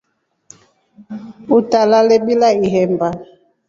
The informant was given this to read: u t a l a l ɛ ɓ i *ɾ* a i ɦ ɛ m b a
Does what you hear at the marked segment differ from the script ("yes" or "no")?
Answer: yes